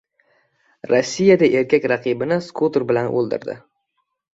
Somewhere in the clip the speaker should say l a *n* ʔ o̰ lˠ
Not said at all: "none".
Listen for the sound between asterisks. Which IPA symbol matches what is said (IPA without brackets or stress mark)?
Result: n